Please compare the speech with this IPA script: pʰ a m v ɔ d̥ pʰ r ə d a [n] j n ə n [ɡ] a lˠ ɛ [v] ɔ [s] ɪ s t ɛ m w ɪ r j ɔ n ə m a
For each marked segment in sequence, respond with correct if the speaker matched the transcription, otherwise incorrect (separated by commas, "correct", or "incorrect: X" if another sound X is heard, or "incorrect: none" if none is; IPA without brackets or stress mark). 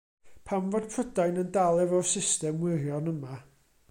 incorrect: none, incorrect: d, correct, correct